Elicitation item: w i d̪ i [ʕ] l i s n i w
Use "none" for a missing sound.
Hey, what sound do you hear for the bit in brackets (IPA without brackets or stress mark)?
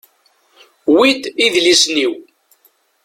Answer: ð